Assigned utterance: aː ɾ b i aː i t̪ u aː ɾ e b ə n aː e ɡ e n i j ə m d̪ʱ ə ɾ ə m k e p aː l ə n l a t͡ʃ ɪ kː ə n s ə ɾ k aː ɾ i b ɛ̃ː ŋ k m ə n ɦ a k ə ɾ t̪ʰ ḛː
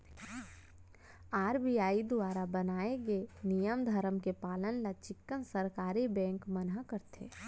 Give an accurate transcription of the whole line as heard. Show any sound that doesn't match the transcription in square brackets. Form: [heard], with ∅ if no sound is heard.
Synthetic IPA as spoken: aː ɾ b i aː i [d̪] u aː ɾ [a] b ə n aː e ɡ e n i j ə m d̪ʱ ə ɾ ə m k e p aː l ə n l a t͡ʃ ɪ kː ə n s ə ɾ k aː ɾ i b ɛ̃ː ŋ k m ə n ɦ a k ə ɾ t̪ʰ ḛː